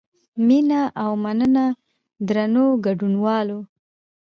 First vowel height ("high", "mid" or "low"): high